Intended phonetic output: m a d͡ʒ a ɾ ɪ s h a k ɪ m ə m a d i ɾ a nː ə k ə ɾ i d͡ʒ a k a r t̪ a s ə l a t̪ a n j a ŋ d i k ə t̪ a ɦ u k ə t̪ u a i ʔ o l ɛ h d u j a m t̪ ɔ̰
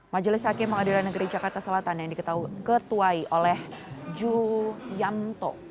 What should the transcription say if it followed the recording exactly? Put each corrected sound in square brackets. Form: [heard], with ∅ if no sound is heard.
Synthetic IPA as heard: m a d͡ʒ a [l] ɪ s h a k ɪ m ə [ŋ] a d i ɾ a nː ə [ɡ] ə ɾ i d͡ʒ a k a r t̪ a s ə l a t̪ a n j a ŋ d i k ə t̪ a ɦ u k ə t̪ u a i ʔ o l ɛ h [d͡ʒ] u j a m t̪ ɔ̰